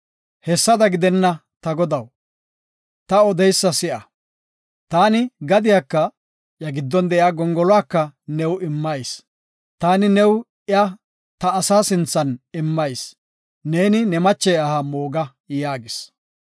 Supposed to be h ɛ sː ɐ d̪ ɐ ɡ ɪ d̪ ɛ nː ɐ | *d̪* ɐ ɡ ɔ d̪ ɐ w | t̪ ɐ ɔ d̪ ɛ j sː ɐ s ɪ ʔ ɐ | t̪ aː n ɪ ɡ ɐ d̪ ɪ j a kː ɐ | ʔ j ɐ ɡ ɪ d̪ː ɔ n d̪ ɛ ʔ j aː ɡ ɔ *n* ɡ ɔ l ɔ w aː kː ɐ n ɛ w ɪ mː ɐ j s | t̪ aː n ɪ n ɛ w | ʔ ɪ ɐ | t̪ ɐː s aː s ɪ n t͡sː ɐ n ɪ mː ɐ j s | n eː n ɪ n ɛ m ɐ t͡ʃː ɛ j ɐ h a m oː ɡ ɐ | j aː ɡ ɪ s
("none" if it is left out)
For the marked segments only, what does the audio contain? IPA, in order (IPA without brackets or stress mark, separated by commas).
t̪, ŋ